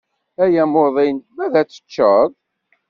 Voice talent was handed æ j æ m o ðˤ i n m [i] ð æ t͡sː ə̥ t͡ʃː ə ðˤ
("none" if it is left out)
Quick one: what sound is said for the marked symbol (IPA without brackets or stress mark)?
æ